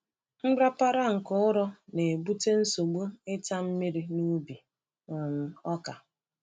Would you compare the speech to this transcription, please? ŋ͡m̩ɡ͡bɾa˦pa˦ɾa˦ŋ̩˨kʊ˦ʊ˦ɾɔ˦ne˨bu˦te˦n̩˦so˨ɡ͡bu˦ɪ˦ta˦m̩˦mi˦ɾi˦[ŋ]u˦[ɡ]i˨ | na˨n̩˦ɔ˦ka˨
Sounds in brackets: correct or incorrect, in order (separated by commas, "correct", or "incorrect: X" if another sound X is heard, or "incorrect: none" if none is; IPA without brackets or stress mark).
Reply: incorrect: n, incorrect: b